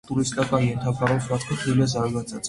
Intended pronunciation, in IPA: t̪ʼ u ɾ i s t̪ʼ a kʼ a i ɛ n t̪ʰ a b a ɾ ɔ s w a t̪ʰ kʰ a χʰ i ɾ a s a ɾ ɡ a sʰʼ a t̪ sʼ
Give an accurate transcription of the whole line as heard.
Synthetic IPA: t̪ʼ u ɾ i s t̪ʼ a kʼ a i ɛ n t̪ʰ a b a ɾ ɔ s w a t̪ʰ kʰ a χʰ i l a z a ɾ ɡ a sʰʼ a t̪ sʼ